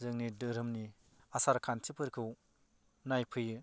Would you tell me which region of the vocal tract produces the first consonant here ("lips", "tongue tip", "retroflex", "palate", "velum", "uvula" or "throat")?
tongue tip